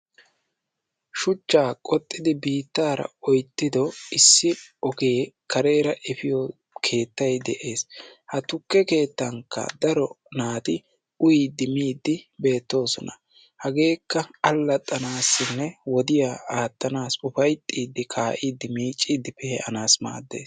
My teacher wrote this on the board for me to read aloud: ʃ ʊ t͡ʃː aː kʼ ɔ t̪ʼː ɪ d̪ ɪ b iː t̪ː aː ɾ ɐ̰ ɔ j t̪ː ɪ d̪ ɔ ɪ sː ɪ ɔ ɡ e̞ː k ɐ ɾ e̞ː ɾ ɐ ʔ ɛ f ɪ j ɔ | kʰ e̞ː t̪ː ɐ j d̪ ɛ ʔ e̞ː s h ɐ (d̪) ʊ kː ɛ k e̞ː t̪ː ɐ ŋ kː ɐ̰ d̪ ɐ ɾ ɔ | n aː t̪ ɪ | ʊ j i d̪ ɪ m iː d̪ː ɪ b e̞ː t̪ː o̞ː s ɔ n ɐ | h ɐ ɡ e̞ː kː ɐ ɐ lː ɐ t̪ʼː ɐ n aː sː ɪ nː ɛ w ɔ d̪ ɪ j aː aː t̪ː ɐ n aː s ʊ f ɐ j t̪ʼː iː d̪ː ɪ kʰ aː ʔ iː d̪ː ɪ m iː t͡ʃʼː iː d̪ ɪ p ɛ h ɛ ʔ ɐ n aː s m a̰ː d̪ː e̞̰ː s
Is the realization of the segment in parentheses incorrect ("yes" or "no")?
yes